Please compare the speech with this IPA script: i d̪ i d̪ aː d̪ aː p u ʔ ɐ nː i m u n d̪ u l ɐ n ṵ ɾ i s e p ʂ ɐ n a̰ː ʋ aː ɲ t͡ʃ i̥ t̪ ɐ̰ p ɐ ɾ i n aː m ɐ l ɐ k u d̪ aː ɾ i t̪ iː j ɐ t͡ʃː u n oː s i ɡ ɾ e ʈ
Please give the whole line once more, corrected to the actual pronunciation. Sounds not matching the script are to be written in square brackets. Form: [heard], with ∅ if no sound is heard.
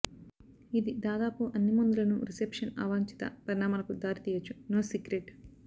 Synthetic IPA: i d̪ i d̪ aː d̪ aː p u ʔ ɐ nː i m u n d̪ u l ɐ n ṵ ɾ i s e p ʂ ɐ n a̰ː ʋ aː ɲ t͡ʃ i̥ t̪ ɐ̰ p ɐ ɾ i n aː m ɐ l ɐ k u d̪ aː ɾ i t̪ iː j ɐ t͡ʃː u n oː s i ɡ ɾ e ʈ